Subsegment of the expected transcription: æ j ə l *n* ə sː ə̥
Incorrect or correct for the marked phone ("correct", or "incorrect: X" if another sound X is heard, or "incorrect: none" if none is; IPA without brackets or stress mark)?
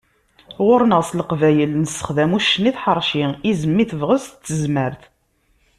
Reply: correct